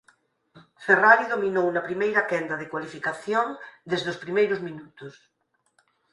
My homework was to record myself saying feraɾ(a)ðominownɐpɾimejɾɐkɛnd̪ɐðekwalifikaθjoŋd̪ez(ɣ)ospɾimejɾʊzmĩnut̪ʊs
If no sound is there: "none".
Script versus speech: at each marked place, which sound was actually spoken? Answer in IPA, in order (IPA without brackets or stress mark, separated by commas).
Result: i, ð